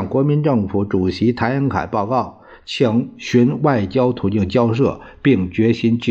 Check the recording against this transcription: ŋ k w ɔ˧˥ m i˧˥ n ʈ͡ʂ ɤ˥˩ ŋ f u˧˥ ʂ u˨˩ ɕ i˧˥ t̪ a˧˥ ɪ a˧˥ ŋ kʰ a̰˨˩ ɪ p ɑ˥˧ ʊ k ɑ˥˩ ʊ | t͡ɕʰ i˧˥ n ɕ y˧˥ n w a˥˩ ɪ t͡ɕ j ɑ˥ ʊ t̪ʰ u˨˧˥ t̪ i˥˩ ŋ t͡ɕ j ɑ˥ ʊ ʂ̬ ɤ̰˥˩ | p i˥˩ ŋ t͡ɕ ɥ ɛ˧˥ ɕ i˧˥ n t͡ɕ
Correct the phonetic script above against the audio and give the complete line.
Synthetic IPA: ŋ k w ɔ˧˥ m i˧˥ n ʈ͡ʂ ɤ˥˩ ŋ f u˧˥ ʈ͡ʂ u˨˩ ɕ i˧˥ t̪ʰ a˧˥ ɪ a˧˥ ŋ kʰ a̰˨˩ ɪ p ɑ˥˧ ʊ k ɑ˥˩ ʊ | t͡ɕʰ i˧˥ ŋ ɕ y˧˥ n w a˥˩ ɪ t͡ɕ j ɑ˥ ʊ t̪ʰ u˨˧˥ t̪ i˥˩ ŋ t͡ɕ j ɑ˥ ʊ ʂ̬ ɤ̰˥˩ | p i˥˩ ŋ t͡ɕ ɥ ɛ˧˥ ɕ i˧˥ n t͡ɕ